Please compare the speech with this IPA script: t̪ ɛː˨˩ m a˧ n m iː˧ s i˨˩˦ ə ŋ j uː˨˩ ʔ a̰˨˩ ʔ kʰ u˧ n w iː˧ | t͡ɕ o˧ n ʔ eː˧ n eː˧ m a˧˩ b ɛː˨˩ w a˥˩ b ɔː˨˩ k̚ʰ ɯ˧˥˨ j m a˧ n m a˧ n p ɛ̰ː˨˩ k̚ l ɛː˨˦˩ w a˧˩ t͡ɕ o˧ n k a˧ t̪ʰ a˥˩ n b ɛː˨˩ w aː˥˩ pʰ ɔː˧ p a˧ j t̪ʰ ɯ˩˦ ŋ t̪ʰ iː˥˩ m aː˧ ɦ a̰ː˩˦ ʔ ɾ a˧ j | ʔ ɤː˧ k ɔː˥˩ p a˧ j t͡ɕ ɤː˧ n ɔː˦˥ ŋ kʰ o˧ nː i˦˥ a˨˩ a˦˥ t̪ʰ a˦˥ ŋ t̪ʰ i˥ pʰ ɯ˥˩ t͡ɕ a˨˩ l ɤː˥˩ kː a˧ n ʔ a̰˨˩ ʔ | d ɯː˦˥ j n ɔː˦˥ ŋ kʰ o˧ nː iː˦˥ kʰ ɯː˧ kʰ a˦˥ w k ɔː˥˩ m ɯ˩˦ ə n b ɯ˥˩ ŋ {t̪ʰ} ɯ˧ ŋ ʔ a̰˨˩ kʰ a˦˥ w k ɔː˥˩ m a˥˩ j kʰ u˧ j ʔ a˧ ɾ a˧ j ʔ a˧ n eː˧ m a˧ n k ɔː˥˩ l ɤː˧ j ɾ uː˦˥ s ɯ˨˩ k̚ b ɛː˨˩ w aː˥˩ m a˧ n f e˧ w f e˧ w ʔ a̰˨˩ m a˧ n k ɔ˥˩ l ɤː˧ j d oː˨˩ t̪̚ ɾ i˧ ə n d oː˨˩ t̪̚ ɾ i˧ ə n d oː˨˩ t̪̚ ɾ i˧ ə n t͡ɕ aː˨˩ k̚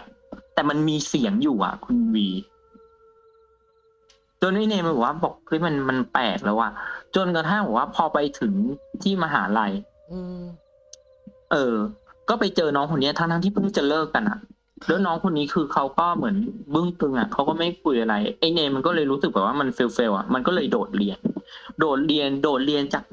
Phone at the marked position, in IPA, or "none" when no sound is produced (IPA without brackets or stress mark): t̪